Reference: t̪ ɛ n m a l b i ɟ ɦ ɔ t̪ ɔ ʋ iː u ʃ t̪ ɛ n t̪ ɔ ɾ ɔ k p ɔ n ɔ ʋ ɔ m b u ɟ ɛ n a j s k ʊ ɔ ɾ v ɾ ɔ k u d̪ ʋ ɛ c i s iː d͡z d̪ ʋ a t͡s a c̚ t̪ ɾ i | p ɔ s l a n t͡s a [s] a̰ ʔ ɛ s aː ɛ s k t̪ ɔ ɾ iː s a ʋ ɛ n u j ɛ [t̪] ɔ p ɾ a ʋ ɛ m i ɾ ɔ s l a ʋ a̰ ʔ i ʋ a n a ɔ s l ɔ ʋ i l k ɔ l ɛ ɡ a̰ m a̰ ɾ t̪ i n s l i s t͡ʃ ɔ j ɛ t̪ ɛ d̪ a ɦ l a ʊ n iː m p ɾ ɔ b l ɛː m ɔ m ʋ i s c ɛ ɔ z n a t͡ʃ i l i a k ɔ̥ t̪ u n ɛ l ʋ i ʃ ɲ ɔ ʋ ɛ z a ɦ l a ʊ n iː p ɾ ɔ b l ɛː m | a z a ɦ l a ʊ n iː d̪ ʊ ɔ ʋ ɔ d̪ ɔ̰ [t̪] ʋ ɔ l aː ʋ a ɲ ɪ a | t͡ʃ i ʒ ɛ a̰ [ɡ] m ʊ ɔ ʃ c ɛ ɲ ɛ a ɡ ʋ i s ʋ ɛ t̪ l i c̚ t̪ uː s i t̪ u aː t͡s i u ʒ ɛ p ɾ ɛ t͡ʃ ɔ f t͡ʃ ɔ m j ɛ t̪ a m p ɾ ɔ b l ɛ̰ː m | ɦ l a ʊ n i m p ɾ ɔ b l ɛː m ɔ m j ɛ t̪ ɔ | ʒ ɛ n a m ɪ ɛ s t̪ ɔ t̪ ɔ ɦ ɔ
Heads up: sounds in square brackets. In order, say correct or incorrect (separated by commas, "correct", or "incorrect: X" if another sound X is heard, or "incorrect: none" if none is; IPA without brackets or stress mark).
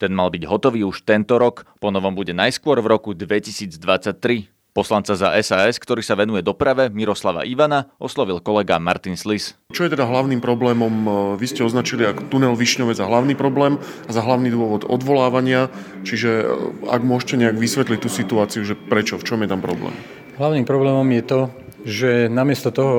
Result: incorrect: z, incorrect: d̪, incorrect: d̪, correct